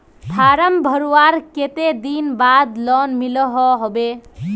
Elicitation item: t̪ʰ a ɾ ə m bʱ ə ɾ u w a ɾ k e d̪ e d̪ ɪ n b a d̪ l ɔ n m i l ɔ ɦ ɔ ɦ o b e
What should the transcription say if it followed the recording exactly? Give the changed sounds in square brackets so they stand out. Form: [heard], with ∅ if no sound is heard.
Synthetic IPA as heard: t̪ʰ a ɾ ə m bʱ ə ɾ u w a ɾ k e [t̪] e d̪ [i] n b a d̪ l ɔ n m i l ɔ ɦ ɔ ɦ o b e